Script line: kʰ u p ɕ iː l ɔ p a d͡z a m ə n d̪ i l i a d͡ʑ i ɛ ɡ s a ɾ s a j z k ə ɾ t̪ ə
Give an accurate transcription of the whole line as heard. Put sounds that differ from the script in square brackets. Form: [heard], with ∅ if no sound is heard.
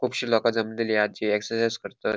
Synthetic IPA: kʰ u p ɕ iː l ɔ [k] a d͡z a m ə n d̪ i l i a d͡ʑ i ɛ [k] s [ə] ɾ s a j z k ə ɾ t̪ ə